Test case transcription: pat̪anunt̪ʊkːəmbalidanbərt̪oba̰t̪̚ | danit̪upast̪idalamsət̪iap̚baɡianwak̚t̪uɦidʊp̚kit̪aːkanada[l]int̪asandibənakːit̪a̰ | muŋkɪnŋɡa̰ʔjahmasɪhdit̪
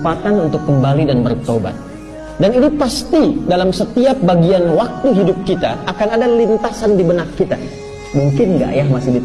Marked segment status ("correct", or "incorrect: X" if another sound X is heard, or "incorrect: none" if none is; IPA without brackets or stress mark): correct